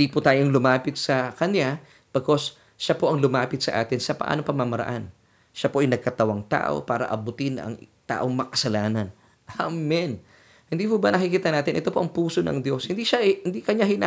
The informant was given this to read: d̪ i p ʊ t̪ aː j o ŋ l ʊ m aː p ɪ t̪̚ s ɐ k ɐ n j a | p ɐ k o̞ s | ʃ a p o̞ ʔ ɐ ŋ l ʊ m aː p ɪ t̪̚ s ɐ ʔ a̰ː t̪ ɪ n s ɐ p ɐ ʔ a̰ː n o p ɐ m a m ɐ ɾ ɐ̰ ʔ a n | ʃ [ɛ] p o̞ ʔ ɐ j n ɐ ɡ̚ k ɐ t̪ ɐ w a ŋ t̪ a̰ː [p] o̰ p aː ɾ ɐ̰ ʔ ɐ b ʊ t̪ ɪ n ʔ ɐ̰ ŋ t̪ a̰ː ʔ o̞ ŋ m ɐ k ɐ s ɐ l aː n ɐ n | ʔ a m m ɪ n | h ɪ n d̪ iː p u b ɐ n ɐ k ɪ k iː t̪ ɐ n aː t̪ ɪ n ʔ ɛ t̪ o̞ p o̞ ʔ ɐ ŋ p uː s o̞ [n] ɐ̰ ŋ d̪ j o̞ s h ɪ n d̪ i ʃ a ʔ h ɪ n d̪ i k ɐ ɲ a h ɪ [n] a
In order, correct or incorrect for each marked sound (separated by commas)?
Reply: incorrect, incorrect, correct, correct